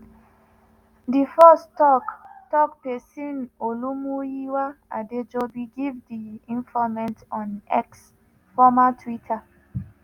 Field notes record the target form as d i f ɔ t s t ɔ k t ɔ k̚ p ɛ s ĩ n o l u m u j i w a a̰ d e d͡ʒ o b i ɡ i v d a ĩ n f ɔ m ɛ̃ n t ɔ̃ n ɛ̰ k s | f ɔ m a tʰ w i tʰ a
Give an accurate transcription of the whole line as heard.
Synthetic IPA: d i f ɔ s t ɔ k t ɔ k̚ p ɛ s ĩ n o l u m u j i w a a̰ d e d͡ʒ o b i ɡ i v d i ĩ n f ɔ m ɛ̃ n t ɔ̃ n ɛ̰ k s | f ɔ m a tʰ w i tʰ a

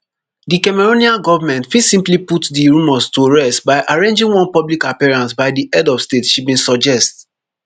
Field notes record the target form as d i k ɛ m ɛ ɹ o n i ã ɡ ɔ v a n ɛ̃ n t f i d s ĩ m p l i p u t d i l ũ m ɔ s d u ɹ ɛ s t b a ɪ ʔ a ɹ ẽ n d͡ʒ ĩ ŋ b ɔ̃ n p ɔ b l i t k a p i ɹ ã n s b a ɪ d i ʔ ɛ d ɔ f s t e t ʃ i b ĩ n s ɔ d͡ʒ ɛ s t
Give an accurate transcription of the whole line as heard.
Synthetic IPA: d i k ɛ m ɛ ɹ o n i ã ɡ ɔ v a m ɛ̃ n t f i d s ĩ m p l i p u t d i ɹ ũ m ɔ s t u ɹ ɛ s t b a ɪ ʔ a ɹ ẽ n d͡ʒ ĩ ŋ w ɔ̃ n p ɔ b l i k a p i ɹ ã n s b a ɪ d i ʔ ɛ d ɔ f s t e t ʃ i b ĩ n s ɔ d͡ʒ ɛ s t

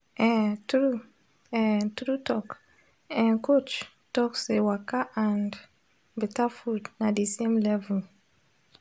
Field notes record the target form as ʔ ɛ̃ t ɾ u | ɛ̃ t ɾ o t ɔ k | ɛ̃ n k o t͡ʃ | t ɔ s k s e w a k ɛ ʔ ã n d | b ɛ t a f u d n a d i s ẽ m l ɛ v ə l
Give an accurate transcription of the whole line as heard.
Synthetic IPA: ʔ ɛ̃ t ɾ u | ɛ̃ t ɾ u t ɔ k | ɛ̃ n k o t͡ʃ | t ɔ k s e w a k a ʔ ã n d | b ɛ t a f u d n a d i s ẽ m l ɛ v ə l

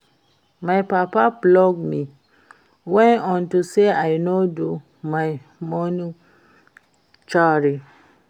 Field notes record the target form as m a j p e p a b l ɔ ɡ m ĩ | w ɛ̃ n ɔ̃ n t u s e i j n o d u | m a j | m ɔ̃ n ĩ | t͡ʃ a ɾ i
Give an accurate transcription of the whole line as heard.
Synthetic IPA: m a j p a p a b l ɔ ɡ m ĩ | w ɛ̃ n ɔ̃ n t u s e a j n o d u | m a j | m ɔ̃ n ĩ | t͡ʃ a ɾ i

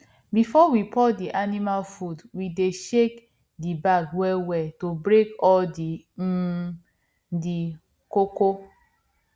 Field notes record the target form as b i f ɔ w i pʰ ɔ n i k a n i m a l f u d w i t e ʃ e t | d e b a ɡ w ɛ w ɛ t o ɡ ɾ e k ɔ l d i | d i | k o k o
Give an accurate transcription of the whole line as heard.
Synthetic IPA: b i f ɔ w i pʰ ɔ d i ʔ a n i m a l f u d w i d e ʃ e k | d i b a ɡ w ɛ w ɛ t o b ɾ e k ɔ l d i | d i | k o k o

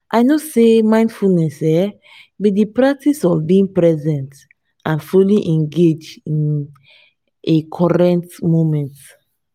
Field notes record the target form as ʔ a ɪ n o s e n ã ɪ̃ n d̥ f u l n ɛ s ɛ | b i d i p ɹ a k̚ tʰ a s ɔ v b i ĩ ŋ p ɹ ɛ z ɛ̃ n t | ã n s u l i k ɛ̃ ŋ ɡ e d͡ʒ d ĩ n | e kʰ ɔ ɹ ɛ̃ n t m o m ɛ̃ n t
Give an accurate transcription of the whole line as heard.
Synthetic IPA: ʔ a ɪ n o s e m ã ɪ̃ n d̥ f u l n ɛ s ɛ | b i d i p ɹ a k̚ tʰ i s ɔ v b i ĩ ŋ p ɹ ɛ z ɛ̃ n t | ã n f u l i ʔ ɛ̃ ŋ ɡ e d͡ʒ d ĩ n | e kʰ ɔ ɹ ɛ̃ n t m o m ɛ̃ n t

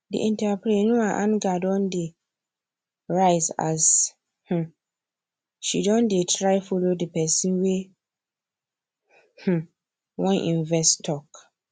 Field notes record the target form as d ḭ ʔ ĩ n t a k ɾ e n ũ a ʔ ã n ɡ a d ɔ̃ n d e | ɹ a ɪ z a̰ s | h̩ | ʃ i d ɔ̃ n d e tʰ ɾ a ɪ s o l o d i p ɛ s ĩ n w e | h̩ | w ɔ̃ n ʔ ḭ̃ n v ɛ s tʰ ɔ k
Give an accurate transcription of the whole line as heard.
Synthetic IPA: d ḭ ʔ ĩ n t a p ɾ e n ũ a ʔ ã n ɡ a d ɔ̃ n d e | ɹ a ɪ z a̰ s | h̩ | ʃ i d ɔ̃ n d e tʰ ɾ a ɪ f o l o d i p ɛ s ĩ n w e | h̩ | w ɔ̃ n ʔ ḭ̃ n v ɛ s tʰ ɔ k

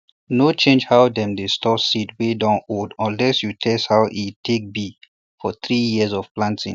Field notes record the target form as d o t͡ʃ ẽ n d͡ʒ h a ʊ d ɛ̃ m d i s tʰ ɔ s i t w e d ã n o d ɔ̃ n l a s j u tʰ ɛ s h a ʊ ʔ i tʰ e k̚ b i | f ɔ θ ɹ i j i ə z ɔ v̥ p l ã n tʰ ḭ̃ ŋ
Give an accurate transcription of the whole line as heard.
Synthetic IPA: n o t͡ʃ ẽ n d͡ʒ h a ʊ d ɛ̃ m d e s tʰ ɔ s i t w e d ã n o d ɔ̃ n l ɛ s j u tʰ ɛ s h a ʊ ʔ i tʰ e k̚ b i | f ɔ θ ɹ i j i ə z ɔ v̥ p l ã n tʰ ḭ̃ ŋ

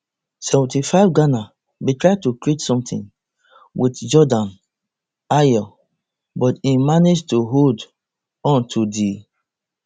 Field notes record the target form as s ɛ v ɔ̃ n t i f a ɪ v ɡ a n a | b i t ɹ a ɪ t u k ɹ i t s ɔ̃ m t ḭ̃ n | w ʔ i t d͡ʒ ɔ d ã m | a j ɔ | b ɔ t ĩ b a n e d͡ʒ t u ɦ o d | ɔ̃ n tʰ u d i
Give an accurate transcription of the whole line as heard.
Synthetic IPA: s ɛ v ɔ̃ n t i f a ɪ v ɡ a n a | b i t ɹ a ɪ t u k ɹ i t s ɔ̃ m t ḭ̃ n | w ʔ i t d͡ʒ ɔ d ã n | a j ɔ | b ɔ t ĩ m a n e d͡ʒ t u ɦ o d | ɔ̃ n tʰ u d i

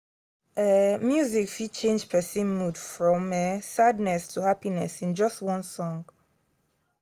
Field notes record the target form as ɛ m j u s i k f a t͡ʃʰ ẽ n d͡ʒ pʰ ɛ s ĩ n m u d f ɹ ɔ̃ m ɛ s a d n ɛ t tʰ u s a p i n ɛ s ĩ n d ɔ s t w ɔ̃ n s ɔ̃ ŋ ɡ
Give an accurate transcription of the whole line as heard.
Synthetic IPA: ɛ m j u z i k f i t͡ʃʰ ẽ n d͡ʒ pʰ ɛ s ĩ n m u d f ɹ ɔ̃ m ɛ s a d n ɛ s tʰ u h a p i n ɛ s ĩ n d͡ʒ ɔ s t w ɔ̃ n s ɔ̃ ŋ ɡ

